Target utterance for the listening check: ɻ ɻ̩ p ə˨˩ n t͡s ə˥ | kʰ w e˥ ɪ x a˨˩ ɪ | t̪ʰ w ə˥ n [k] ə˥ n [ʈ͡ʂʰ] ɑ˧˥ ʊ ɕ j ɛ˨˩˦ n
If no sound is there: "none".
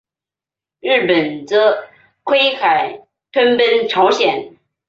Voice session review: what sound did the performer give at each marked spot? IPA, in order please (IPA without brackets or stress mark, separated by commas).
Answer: p, ʈ͡ʂʰ